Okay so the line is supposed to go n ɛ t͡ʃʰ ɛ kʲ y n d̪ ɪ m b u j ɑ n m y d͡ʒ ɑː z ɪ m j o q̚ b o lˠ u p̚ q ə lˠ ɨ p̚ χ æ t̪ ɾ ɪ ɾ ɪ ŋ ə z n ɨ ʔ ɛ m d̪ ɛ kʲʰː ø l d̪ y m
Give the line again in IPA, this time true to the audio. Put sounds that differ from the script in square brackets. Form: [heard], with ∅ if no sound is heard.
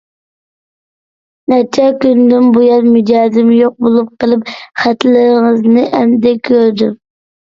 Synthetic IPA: n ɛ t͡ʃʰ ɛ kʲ y n d̪ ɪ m b u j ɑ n m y d͡ʒ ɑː z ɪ m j o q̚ b o lˠ u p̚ q ə lˠ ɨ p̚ χ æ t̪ [l] ɪ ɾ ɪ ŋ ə z n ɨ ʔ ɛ m d̪ ɛ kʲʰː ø [ɾ] d̪ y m